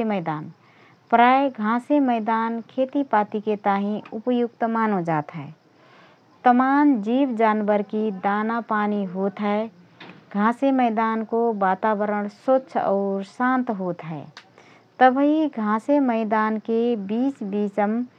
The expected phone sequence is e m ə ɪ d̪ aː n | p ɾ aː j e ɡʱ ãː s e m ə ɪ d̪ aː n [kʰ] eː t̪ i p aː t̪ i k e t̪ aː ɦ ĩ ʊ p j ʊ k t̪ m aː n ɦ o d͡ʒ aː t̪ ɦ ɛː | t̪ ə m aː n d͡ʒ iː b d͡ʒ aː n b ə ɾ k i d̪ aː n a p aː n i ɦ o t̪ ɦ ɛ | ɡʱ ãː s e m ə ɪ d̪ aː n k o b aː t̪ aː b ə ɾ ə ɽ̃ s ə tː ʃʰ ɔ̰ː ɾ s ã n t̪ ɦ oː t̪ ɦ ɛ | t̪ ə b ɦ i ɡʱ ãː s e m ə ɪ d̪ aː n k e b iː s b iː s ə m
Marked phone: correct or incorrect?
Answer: correct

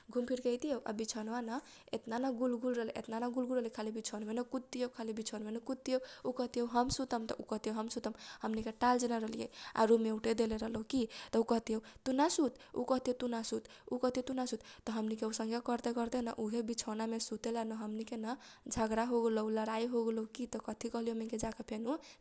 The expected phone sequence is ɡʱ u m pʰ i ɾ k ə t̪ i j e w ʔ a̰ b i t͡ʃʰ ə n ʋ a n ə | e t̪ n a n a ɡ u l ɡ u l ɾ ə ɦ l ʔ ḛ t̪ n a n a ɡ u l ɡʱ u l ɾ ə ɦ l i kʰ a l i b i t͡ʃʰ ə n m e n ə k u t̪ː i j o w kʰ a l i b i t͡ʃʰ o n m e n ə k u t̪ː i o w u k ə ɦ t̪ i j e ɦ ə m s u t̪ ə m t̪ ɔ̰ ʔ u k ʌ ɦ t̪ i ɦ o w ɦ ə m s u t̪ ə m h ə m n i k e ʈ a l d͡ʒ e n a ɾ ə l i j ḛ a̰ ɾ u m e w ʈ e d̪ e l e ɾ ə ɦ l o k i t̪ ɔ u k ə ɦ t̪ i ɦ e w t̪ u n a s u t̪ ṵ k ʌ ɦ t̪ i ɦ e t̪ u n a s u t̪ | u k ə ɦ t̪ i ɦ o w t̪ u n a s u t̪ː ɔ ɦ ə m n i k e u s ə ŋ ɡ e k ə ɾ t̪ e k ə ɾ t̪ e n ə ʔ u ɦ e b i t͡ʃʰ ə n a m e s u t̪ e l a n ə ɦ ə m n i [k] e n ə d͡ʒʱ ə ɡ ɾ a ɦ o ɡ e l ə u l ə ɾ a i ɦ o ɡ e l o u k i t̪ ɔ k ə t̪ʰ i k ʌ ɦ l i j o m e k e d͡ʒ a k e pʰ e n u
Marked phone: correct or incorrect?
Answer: correct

